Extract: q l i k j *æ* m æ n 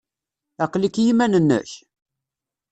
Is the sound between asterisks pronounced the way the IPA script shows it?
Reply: no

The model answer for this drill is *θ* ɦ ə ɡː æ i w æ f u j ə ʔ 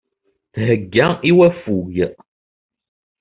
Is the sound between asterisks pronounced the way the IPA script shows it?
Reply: yes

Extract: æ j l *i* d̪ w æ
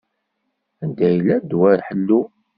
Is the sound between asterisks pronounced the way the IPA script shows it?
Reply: no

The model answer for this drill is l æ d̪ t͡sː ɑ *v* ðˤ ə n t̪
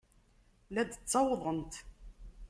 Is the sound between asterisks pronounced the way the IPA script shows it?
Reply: no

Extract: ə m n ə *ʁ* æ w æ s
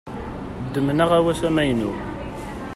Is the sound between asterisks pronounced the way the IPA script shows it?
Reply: yes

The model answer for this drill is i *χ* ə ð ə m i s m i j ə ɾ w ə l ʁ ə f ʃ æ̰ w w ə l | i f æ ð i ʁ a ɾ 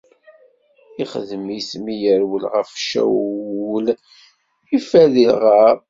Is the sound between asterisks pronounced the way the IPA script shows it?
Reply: yes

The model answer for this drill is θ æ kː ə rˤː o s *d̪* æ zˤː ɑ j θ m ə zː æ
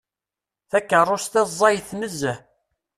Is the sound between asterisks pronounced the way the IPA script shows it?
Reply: no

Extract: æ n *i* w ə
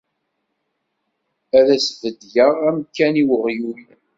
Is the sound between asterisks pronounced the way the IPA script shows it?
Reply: yes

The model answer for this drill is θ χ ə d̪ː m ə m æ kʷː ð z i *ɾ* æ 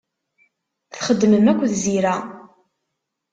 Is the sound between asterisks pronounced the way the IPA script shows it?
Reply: yes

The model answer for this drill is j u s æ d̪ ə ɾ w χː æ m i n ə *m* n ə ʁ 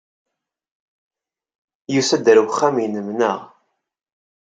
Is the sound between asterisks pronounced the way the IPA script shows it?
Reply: yes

